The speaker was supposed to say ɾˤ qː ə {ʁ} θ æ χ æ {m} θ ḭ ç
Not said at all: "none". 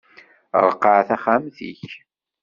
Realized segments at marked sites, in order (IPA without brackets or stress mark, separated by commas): ʕ, m